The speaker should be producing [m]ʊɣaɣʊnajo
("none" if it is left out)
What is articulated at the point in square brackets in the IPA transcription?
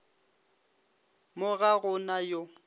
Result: m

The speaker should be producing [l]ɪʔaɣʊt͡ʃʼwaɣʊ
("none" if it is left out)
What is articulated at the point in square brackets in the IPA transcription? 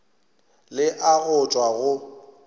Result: l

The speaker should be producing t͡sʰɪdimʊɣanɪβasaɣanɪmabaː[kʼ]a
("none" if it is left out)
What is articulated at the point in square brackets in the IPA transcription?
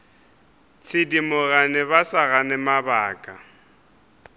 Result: kʼ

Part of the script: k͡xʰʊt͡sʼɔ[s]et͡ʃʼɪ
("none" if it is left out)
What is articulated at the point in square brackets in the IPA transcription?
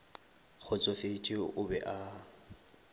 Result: f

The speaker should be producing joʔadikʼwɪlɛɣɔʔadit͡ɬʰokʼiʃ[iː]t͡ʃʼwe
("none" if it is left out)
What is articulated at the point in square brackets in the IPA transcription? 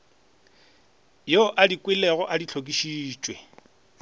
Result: iː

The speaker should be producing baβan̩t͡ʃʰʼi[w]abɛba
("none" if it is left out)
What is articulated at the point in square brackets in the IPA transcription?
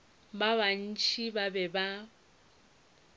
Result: b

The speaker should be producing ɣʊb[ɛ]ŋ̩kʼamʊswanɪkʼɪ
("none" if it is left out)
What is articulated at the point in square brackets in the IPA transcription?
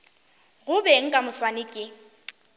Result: ɛ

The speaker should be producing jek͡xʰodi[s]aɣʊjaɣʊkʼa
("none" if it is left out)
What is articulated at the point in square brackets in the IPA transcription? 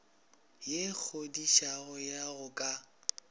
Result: ʃ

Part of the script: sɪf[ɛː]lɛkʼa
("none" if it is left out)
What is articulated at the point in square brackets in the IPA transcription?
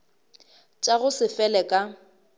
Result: ɛ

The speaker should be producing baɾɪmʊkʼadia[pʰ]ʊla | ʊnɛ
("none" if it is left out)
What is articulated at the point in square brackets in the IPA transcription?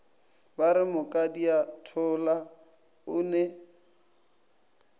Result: tʰ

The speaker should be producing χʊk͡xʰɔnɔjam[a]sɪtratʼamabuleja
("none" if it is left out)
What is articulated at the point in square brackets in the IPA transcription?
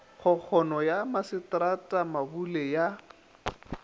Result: a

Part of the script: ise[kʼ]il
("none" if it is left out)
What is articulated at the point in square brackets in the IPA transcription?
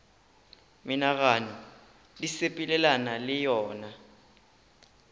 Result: pʼ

